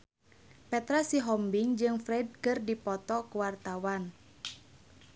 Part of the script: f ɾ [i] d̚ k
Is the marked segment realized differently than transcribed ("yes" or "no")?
yes